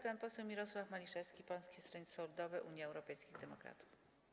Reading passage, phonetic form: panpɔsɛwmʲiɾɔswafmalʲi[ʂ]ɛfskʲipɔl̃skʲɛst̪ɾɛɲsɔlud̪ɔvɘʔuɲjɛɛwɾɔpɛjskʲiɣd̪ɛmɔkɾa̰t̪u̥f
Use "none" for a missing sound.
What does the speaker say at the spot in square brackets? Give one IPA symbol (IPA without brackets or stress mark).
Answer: ʂ